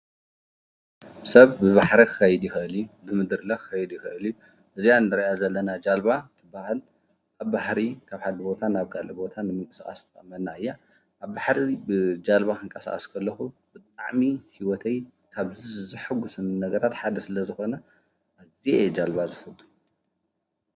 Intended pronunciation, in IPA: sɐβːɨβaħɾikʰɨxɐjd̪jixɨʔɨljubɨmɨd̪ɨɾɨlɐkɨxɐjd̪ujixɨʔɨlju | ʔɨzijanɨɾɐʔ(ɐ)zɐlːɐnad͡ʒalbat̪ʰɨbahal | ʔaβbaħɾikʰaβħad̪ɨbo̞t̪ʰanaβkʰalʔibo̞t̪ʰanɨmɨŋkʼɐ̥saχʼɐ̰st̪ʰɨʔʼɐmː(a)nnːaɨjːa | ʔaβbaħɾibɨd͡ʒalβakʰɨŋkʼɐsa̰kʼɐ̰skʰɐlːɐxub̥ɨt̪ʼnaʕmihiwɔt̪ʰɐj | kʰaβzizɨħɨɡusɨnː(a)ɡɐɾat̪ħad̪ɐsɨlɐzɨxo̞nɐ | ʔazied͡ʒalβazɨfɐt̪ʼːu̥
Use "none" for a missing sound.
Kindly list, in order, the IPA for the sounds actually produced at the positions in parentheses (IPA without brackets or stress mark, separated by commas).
a, ɐ, ɐ